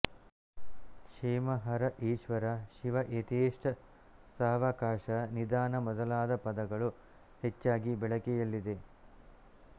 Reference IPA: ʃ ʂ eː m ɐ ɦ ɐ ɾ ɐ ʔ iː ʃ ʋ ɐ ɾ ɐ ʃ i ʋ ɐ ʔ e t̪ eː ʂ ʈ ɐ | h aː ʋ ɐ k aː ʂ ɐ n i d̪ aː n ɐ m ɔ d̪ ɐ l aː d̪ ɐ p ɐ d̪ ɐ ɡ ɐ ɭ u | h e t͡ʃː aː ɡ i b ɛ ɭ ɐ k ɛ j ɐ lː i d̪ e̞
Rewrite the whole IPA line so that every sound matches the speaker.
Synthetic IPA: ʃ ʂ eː m ɐ ɦ ɐ ɾ ɐ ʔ iː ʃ ʋ ɐ ɾ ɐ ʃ i ʋ ɐ ʔ e t̪ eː ʂ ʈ ɐ | s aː ʋ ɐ k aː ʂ ɐ n i d̪ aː n ɐ m ɔ d̪ ɐ l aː d̪ ɐ p ɐ d̪ ɐ ɡ ɐ ɭ u | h e t͡ʃː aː ɡ i b ɛ ɭ ɐ k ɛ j ɐ lː i d̪ e̞